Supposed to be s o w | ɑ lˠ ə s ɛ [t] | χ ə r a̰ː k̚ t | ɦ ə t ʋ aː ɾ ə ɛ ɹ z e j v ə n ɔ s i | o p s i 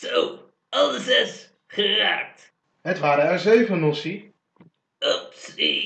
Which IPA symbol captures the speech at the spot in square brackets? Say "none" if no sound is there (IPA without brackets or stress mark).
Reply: s